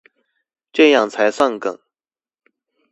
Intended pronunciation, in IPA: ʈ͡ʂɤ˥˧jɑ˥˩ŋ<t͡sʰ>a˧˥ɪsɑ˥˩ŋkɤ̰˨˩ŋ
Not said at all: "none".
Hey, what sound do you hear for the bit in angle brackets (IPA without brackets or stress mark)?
t͡sʰ